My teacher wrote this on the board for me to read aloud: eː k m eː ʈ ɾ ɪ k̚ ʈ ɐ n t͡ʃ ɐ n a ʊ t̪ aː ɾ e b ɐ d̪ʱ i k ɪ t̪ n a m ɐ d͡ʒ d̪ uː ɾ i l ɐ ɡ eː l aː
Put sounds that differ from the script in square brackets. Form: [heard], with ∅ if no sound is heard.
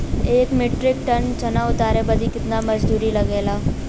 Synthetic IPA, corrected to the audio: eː k m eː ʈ ɾ ɪ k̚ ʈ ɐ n t͡ʃ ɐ n a ʊ t̪ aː ɾ e b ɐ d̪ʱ i k ɪ t̪ n a m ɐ d͡ʒ d̪ uː ɾ i l ɐ ɡ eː l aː